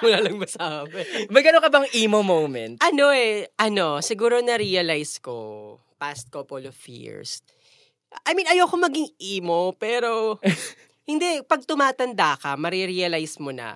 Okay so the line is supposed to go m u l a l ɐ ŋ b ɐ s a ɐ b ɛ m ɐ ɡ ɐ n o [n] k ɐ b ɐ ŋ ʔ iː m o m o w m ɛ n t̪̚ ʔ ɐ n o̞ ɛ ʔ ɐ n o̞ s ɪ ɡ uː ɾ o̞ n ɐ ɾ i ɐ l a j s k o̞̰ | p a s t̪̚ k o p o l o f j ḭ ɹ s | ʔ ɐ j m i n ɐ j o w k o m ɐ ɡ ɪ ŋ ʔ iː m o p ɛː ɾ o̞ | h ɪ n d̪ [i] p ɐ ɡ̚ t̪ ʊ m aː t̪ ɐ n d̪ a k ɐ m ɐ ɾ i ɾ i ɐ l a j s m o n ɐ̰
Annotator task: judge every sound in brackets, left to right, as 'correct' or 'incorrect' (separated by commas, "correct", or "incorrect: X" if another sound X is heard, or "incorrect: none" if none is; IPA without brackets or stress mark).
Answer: incorrect: ŋ, incorrect: ɛ